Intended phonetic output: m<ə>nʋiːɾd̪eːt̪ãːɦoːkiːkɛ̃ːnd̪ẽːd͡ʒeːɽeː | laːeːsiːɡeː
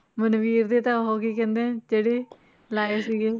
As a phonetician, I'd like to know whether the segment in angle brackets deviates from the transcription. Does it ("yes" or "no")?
no